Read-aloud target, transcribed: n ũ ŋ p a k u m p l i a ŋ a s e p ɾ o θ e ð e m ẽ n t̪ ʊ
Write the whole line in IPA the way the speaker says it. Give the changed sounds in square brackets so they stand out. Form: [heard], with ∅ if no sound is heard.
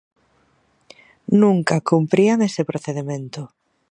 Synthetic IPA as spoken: n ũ ŋ [k] a k u m p [ɾ] i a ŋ [e] s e p ɾ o θ e ð e m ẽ n t̪ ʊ